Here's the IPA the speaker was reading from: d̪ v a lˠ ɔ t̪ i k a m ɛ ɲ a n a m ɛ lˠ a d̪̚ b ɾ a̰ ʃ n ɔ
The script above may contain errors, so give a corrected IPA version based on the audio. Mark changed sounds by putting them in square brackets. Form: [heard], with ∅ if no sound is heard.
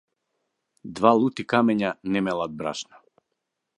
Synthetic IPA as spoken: d̪ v a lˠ [u] t̪ i k a m ɛ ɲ a n [ɛ] m ɛ lˠ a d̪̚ b ɾ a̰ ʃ n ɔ